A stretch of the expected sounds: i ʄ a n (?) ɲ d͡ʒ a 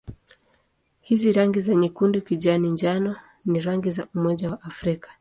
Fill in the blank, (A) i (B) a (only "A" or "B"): A